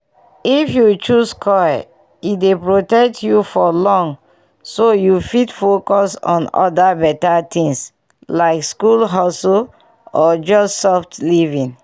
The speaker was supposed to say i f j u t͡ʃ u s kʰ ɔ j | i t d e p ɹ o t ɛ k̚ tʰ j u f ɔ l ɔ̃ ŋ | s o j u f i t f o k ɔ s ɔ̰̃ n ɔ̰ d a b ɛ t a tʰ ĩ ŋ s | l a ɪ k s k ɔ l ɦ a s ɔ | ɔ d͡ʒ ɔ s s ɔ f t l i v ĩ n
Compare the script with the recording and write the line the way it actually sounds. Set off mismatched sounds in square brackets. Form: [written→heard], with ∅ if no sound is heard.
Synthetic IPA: i f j u t͡ʃ u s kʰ ɔ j | i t d e p ɹ o t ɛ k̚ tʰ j u f ɔ l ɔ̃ ŋ | s o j u f i t f o k ɔ s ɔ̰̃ n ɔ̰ d a b ɛ t a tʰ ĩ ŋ s | l a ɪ k s k [ɔ→u] l ɦ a s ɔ | ɔ d͡ʒ ɔ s s ɔ f t l i v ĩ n